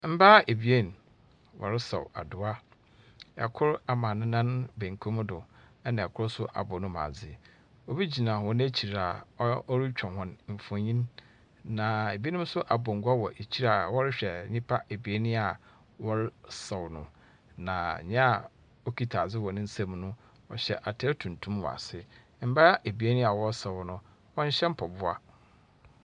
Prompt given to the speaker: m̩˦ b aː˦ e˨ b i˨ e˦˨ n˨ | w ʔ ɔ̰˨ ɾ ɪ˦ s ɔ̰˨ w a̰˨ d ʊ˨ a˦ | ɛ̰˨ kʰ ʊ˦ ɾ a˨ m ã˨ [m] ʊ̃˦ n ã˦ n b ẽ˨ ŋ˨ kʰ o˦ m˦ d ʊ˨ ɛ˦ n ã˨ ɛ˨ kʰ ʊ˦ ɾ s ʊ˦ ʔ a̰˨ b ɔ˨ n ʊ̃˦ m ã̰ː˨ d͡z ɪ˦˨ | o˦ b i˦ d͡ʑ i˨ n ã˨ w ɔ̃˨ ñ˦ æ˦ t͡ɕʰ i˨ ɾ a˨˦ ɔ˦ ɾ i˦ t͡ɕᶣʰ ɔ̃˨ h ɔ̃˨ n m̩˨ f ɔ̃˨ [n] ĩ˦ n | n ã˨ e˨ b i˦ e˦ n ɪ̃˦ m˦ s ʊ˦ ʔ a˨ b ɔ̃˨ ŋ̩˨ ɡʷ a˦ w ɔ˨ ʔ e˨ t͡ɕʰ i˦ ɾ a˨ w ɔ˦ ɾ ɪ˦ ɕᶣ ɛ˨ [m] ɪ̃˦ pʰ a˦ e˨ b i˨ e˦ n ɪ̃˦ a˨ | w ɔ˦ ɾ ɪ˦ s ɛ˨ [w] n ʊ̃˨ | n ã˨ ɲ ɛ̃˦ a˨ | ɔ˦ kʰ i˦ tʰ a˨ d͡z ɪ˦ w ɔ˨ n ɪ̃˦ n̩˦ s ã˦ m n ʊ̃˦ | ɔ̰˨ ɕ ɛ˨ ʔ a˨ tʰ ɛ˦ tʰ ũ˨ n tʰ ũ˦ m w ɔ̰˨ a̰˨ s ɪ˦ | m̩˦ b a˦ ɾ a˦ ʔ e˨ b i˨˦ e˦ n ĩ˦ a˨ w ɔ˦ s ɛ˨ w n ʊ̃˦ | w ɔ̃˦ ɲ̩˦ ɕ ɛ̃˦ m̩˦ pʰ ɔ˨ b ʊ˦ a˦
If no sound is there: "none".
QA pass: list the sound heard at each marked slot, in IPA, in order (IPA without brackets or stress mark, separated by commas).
n, ɲ, ɲ, w